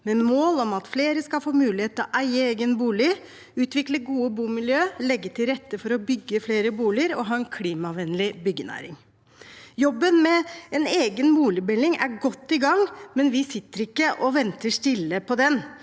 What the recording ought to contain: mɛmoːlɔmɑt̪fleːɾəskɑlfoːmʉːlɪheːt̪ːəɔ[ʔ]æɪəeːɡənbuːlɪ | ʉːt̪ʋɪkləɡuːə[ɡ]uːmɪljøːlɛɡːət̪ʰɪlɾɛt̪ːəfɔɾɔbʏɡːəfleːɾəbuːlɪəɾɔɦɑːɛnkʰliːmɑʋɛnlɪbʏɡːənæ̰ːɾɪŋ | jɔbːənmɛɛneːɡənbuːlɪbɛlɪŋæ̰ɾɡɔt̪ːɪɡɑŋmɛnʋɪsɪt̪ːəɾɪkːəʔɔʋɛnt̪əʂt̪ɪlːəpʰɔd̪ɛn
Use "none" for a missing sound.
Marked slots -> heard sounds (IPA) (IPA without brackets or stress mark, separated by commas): ʔ, b